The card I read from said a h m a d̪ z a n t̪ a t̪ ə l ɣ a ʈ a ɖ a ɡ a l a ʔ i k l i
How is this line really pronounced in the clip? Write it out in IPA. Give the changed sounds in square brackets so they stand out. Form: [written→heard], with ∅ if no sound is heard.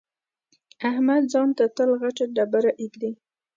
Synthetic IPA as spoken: a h m a d̪ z [a→ɑ] n t̪ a t̪ ə l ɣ a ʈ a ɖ a [ɡ→b] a [l→ɾ] a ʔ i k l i